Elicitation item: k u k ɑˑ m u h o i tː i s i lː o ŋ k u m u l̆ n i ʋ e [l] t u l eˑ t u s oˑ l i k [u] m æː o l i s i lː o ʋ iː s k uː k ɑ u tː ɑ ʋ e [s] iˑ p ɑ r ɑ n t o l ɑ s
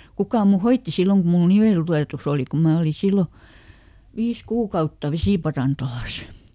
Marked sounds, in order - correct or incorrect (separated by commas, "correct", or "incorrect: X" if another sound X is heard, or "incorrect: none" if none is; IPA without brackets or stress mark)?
correct, correct, correct